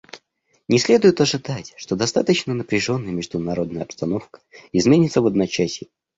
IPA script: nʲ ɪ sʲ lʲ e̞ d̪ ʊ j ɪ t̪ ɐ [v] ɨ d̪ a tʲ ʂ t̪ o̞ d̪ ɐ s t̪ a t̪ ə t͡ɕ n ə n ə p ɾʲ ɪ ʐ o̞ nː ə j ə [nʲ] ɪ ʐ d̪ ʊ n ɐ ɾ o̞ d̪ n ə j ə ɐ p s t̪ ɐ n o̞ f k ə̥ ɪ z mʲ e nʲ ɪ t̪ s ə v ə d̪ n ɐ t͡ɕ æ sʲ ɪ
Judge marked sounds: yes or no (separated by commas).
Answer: no, no